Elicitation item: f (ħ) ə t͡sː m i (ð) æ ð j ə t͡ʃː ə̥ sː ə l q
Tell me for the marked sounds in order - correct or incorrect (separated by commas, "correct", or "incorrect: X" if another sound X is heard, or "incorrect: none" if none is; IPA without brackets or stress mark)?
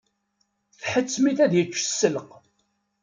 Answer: correct, incorrect: θ